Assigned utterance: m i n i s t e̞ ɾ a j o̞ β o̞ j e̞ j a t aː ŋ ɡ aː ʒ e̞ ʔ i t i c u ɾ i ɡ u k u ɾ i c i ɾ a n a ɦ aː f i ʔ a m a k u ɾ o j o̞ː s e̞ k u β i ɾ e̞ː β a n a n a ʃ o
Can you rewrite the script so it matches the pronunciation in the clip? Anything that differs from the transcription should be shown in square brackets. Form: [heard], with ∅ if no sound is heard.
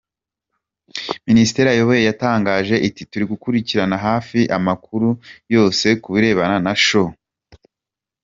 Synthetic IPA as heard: m i n i s t e̞ ɾ a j o̞ β o̞ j e̞ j a t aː ŋ ɡ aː ʒ e̞ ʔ i t i [t] u ɾ i ɡ u k u ɾ i c i ɾ a n a ɦ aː f i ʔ a m a k u ɾ [u] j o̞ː s e̞ k u β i ɾ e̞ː β a n a n a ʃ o